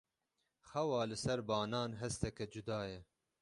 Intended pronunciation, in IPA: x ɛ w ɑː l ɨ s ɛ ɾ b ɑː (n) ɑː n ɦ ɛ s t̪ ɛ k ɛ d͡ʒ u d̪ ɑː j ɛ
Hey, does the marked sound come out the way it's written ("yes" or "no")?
yes